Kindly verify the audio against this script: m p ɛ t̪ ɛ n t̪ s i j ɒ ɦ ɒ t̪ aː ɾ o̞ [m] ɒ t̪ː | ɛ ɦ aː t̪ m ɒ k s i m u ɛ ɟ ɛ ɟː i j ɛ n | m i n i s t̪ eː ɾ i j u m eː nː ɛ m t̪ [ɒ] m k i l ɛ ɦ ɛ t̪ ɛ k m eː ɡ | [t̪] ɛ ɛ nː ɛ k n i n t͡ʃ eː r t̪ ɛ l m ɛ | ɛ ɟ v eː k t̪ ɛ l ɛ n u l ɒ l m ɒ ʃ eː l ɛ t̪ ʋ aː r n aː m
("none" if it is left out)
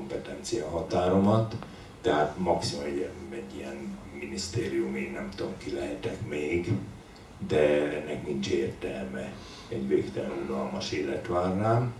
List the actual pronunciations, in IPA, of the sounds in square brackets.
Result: m, o, d̪

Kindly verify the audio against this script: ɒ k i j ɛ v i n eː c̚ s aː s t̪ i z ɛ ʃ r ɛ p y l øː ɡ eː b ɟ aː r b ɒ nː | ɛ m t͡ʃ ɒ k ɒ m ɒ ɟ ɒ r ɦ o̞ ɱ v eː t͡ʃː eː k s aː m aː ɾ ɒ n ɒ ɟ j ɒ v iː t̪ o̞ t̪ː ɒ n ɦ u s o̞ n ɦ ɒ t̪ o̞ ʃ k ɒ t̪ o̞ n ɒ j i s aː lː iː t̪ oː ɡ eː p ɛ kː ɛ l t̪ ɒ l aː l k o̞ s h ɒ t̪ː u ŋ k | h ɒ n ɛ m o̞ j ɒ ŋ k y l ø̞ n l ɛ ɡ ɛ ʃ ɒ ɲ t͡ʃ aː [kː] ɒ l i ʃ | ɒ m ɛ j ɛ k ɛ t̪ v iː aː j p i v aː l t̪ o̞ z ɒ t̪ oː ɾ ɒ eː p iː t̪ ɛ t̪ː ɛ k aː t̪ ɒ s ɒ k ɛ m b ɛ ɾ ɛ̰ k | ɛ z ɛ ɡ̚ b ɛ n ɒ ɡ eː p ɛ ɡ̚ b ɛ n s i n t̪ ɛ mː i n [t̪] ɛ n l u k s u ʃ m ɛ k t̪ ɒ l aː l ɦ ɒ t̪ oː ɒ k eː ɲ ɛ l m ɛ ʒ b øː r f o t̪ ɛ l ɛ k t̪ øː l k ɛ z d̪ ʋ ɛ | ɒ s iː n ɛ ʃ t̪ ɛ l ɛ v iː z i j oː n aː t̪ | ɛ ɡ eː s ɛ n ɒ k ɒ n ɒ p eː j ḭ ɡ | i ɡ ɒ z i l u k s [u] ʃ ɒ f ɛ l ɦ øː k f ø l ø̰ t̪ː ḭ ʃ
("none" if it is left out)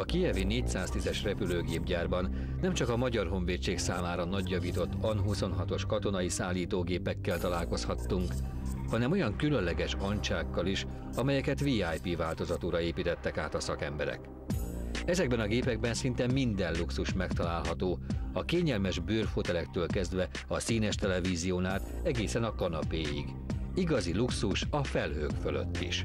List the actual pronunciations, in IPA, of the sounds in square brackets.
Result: kː, d̪, u

